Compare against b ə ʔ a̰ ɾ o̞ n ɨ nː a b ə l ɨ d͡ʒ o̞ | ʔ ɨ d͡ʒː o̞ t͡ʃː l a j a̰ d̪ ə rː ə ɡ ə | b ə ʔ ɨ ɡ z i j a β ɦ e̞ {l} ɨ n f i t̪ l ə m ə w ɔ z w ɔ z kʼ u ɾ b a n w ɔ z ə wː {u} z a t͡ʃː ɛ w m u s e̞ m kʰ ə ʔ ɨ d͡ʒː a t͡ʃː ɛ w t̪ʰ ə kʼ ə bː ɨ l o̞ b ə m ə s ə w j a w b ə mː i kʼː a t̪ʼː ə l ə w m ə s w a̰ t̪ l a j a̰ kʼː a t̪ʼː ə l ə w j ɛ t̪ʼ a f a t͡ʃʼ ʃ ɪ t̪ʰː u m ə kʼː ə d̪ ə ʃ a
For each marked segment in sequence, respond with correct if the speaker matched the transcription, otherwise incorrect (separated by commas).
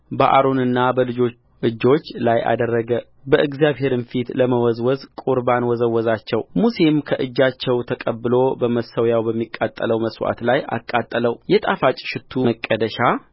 incorrect, incorrect